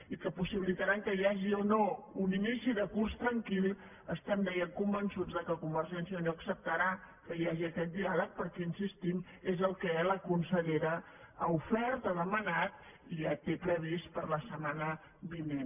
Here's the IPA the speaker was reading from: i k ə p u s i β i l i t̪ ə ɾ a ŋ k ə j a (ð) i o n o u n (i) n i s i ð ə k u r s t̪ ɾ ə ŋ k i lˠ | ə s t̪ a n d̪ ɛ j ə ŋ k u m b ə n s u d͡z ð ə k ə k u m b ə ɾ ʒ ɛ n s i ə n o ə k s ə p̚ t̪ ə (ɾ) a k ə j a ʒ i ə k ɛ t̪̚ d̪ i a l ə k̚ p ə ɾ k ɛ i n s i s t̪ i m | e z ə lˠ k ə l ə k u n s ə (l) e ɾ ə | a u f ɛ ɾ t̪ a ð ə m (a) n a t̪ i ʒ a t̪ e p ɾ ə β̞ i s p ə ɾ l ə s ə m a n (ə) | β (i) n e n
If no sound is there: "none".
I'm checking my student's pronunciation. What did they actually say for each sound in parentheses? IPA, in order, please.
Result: ʒ, i, ɾ, ʎ, ə, ə, i

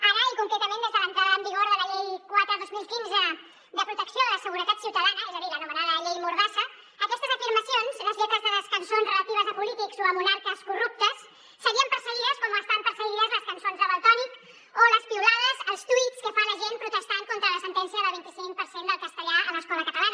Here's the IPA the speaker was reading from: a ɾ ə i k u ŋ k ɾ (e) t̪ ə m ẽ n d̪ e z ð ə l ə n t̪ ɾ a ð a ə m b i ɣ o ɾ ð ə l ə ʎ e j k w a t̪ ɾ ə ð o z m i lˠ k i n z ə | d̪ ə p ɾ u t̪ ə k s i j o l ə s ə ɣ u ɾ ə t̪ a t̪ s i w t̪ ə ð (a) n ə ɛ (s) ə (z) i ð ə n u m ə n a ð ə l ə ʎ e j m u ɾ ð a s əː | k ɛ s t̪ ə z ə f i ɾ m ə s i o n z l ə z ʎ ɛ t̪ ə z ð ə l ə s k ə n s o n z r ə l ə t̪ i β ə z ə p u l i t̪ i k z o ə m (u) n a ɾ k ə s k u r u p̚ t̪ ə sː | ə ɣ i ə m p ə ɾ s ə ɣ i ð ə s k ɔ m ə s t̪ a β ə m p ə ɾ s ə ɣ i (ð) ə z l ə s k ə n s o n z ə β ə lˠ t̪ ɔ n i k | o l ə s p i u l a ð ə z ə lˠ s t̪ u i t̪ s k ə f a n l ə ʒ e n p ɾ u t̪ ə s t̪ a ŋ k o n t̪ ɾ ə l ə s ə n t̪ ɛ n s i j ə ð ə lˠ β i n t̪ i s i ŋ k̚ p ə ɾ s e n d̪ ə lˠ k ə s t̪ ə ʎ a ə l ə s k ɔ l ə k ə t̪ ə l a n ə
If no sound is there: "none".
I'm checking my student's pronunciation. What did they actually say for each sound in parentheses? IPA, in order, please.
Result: ɛ, a, z, ð, u, ð

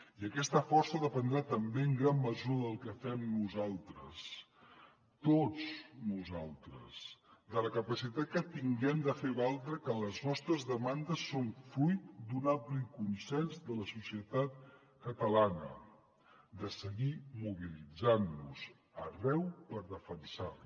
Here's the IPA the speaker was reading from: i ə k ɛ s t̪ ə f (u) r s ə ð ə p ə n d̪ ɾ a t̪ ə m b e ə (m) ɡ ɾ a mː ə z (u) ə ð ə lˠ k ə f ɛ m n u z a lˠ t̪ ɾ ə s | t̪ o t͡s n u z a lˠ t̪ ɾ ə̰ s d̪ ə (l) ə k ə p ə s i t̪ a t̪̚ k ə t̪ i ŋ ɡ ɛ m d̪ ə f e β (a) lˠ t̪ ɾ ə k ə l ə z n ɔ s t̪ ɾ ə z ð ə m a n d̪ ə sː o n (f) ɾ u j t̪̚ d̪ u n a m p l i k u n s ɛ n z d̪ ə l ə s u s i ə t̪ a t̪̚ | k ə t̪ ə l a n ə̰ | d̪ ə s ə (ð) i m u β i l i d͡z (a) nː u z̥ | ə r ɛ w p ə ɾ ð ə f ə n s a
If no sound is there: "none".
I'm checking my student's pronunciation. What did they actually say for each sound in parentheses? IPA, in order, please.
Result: ɔ, ŋ, u, l, a, f, ɣ, a

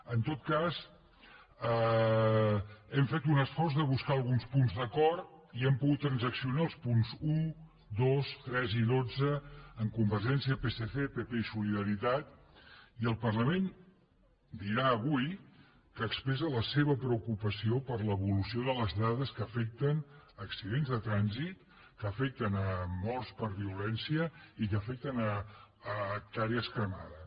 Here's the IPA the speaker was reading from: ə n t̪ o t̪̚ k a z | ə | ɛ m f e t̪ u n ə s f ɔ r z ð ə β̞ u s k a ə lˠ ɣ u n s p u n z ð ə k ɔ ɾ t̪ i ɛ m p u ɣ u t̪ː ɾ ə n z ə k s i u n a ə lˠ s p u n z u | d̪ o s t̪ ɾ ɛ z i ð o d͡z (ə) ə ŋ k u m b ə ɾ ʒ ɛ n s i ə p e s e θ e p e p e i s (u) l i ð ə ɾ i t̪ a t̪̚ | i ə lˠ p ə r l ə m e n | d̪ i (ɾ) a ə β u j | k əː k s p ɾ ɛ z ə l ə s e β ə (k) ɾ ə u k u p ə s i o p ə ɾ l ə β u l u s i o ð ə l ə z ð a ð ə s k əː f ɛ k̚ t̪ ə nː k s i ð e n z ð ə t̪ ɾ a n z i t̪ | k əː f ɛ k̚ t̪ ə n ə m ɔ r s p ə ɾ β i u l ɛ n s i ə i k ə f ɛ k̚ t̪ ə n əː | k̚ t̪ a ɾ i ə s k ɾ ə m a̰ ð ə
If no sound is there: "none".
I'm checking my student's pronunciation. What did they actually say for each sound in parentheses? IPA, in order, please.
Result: ə, u, ɾ, p

